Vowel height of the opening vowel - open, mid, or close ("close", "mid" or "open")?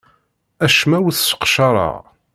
open